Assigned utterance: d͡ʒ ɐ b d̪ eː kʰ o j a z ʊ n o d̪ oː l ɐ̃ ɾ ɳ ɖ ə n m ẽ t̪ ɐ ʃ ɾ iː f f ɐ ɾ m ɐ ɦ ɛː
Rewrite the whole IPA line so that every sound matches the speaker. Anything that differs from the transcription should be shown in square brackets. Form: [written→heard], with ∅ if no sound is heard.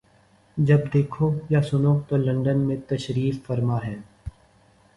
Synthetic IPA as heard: d͡ʒ ɐ b d̪ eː kʰ o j a [z→s] ʊ n o [d̪→t̪] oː l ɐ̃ [ɾ→∅] ɳ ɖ ə n m ẽ t̪ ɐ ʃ ɾ iː f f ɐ ɾ m [ɐ→a] ɦ ɛː